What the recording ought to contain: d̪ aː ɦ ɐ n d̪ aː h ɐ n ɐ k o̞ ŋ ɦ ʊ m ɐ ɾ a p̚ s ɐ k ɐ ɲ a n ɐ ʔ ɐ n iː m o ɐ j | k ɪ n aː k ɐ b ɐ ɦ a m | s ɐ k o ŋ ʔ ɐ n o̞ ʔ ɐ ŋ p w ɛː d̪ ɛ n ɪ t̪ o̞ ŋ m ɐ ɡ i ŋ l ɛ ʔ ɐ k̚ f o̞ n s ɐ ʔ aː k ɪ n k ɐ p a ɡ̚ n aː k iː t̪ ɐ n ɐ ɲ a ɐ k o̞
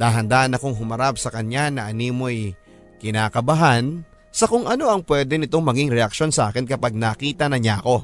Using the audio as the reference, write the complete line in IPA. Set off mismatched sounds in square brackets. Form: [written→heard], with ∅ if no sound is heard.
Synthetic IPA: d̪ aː ɦ ɐ n d̪ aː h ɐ n ɐ k o̞ ŋ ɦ ʊ m ɐ ɾ a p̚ s ɐ k ɐ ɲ a n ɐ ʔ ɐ n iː m o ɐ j | k ɪ n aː k ɐ b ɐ ɦ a [m→n] | s ɐ k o ŋ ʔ ɐ n o̞ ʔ ɐ ŋ p w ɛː d̪ ɛ n ɪ t̪ o̞ ŋ m ɐ ɡ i ŋ [l→ɾ] ɛ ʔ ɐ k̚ [f→ʃ] o̞ n s ɐ ʔ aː k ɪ n k ɐ p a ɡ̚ n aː k iː t̪ ɐ n ɐ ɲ a ɐ k o̞